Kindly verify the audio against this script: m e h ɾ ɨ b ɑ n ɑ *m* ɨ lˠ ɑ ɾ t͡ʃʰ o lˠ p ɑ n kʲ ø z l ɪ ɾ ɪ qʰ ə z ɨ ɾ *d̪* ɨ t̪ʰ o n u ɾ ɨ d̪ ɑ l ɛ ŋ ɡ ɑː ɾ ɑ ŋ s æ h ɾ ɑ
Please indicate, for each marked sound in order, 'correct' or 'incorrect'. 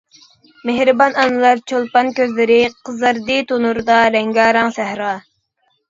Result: incorrect, correct

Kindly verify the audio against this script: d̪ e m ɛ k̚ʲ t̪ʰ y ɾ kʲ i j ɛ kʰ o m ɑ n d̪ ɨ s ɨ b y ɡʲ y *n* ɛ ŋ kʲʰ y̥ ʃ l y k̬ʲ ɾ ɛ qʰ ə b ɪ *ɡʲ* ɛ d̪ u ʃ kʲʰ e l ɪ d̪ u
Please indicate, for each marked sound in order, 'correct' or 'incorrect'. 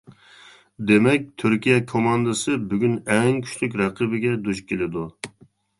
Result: correct, correct

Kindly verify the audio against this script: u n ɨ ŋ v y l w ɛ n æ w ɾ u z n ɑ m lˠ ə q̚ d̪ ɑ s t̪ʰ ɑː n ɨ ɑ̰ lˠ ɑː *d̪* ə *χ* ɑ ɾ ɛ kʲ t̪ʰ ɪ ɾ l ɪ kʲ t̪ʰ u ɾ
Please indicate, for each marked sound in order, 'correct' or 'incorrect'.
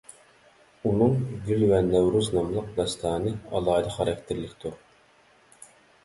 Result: correct, correct

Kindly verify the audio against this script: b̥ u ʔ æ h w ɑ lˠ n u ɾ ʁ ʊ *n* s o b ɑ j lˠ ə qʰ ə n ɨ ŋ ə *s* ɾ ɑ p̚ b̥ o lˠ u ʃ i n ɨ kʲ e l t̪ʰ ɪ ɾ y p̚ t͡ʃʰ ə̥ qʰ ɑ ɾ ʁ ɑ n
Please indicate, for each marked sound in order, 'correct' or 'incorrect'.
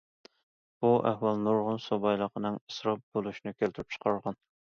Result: correct, correct

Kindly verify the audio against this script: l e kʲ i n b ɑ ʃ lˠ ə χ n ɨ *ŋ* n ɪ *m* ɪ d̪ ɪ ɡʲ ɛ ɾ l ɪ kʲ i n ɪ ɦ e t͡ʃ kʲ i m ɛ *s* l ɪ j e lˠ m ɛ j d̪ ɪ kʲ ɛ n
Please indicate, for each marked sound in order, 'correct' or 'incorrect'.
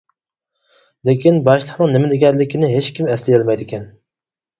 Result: correct, correct, correct

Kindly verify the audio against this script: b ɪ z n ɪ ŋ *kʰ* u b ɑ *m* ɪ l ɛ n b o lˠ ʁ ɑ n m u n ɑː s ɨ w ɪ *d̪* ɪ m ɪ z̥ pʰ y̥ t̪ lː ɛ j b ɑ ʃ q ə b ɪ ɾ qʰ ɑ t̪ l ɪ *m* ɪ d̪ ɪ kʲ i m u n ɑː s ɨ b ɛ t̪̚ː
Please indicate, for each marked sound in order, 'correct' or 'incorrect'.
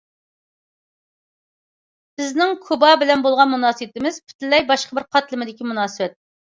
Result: correct, incorrect, incorrect, correct

